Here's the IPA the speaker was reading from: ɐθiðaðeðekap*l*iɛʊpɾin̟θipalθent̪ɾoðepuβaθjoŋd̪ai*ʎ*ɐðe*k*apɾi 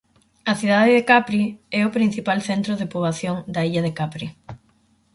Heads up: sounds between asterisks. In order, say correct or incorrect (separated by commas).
incorrect, correct, correct